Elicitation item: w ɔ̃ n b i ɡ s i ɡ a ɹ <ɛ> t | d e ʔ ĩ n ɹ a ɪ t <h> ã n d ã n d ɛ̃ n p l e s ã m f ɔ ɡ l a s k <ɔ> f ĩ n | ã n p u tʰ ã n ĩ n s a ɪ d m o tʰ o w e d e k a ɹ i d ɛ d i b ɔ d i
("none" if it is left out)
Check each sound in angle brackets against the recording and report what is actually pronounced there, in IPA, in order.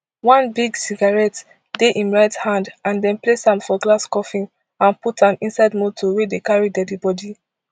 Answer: ɛ, h, ɔ

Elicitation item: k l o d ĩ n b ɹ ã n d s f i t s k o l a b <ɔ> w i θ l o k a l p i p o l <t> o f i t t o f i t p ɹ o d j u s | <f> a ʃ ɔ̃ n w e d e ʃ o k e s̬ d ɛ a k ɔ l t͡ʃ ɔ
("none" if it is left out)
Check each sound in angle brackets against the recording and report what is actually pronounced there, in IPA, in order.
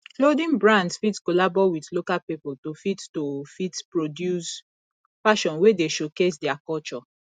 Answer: ɔ, t, f

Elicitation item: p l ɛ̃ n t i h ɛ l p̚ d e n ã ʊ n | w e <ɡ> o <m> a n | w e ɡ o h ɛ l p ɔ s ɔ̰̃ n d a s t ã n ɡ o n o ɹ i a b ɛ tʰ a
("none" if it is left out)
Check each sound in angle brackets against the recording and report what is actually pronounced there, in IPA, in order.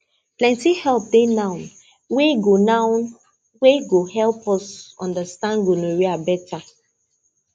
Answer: ɡ, n

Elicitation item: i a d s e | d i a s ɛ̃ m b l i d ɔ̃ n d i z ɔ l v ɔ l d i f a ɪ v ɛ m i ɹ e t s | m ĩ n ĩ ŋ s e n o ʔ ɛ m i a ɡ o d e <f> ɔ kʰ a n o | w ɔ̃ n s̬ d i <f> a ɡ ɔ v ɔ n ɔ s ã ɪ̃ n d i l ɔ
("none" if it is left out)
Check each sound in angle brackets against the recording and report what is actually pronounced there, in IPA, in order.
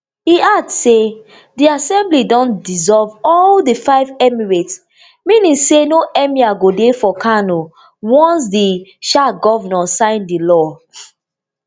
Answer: f, ʃ

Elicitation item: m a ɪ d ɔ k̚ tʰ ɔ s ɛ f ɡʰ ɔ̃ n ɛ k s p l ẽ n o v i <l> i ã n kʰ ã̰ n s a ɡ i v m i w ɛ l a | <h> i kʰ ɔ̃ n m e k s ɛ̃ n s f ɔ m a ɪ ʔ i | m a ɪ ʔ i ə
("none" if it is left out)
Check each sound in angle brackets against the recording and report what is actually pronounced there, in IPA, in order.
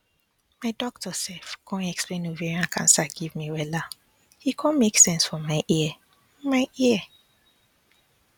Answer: ɹ, h

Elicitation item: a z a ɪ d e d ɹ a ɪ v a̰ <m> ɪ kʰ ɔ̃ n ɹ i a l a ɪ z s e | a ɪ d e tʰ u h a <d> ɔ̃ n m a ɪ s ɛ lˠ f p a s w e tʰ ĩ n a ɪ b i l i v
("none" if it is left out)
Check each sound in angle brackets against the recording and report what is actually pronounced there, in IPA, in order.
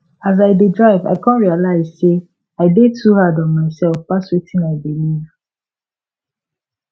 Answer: none, d

